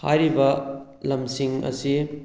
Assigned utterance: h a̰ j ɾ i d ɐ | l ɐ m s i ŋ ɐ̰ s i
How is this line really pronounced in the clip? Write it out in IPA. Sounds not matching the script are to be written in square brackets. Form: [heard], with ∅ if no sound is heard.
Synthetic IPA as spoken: h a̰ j ɾ i [b] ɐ | l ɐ m s i ŋ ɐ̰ s i